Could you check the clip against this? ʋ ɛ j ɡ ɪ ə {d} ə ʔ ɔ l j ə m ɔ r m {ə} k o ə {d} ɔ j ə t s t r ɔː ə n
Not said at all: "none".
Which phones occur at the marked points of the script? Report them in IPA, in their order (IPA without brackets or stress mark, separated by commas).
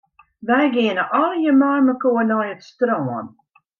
n, ə, n